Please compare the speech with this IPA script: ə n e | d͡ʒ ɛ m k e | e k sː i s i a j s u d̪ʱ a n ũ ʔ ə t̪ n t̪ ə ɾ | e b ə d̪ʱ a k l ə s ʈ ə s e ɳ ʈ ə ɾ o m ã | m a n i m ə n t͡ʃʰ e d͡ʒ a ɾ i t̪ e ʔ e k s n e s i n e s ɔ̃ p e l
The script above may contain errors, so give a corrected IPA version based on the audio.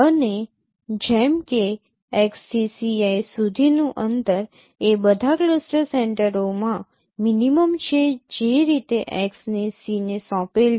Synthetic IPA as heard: ə n e | d͡ʒ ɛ m k e | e k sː i s i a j s u d̪ʱ i n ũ ʔ ə n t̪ ə ɾ | e b ə d̪ʱ a k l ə s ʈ ə s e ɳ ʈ ə ɾ o m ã | m i n i m ə m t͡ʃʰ e d͡ʒ e ɾ i t̪ e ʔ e k s n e s i n e s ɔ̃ p e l